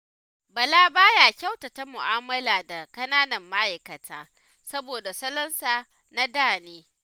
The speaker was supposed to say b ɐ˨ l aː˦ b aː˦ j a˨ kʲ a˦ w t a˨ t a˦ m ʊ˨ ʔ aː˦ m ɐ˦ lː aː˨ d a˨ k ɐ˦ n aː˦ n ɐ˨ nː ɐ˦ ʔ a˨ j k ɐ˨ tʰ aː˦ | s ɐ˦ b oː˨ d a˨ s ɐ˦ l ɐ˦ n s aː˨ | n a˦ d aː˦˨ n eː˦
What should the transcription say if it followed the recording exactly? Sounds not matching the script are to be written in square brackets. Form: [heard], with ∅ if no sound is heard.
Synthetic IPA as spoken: b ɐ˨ l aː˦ b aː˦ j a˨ kʲ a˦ w t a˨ t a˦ m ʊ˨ ʔ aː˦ m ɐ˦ [l] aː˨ d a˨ k ɐ˦ n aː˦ n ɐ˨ [mː] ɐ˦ ʔ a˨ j k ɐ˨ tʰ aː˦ | s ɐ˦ b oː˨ d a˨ s ɐ˦ l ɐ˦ n s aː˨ | n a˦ d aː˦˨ n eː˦